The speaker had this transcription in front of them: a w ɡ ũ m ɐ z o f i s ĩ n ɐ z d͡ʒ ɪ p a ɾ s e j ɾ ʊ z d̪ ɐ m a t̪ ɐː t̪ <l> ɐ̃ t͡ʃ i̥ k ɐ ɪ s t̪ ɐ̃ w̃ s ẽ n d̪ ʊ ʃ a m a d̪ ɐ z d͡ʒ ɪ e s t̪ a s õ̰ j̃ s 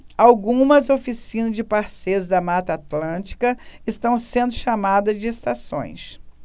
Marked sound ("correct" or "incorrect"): correct